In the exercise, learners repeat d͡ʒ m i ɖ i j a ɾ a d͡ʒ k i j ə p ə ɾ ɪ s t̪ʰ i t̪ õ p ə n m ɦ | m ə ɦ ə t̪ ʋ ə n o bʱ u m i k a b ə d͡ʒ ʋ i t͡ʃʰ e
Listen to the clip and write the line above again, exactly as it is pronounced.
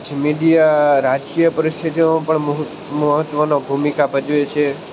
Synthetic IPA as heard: d͡ʒ m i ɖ i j a ɾ a d͡ʒ k i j ə p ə ɾ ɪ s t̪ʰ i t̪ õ p ə ɳ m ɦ | m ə ɦ ə t̪ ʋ ə n o bʱ u m i k a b ə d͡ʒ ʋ e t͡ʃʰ e